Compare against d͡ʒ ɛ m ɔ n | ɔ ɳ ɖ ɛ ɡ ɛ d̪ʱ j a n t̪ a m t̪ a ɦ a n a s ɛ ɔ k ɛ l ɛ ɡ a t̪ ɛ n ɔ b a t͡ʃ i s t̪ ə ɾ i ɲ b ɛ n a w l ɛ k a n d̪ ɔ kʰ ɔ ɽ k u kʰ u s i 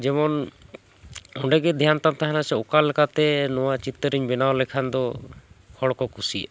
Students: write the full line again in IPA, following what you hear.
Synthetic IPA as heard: d͡ʒ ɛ m ɔ n | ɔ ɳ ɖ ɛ ɡ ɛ d̪ʱ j a n t̪ a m t̪ a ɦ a n a s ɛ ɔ k a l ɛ k a t̪ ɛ n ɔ w a t͡ʃ i t̪ ə ɾ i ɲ b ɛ n a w l ɛ kʰ a n d̪ ɔ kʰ ɔ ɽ k ɔ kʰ u s i